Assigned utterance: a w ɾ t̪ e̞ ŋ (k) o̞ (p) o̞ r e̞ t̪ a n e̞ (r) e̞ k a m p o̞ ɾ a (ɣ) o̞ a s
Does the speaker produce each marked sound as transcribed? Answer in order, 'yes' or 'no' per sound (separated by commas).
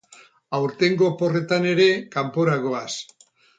no, yes, no, yes